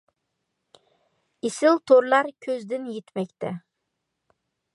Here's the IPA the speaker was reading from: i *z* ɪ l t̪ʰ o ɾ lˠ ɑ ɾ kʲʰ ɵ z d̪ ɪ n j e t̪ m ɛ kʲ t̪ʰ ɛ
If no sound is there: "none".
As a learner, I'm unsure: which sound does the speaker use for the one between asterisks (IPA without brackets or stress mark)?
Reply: s